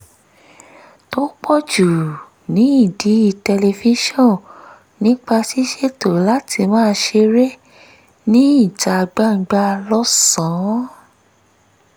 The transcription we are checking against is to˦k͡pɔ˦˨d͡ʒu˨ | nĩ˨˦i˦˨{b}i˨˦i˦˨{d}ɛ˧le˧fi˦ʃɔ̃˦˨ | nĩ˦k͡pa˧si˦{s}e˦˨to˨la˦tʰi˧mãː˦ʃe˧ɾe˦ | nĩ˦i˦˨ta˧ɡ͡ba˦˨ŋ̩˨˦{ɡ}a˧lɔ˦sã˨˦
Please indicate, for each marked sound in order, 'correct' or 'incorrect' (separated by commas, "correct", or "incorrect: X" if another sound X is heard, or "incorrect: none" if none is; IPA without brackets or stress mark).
incorrect: d, incorrect: t, incorrect: ʃ, incorrect: ɡ͡b